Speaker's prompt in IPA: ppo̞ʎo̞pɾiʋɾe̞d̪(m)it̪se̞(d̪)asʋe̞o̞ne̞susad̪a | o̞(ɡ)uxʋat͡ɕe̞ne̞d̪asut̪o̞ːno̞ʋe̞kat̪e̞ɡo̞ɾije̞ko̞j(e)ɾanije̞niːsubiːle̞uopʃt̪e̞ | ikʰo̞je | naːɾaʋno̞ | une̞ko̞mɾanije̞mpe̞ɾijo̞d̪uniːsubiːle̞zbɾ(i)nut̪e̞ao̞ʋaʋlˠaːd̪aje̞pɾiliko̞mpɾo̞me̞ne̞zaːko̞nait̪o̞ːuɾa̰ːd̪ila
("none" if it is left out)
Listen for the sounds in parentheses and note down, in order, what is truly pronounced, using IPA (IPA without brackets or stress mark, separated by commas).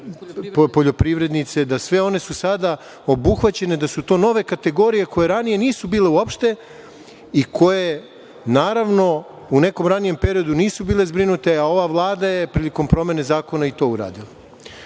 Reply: n, d̪, b, e, i